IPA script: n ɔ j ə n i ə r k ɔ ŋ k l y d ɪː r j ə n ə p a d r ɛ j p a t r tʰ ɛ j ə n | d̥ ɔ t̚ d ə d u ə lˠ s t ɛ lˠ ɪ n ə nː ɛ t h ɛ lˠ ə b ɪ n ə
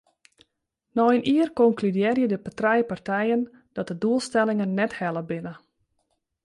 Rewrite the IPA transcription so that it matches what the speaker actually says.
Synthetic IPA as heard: n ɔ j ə n i ə r k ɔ ŋ k l y d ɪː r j ə d ə p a t r ɛ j p a r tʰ ɛ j ə n | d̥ ɔ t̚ d ə d u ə lˠ s t ɛ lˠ ɪ ŋ ə nː ɛ t h ɛ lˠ ə b ɪ n ə